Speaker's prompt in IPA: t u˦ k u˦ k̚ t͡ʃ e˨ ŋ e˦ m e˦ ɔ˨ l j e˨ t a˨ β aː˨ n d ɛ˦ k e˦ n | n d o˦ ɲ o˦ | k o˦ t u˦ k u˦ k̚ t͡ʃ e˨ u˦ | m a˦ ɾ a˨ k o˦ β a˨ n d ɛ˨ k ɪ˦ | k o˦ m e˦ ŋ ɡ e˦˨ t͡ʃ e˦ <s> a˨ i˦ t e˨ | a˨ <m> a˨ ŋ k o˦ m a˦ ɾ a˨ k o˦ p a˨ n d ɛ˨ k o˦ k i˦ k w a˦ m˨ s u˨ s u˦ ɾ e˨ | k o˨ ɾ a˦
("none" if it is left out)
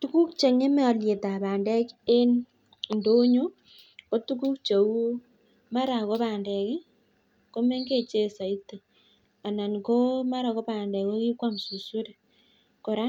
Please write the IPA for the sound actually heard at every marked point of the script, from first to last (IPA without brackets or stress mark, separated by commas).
s, n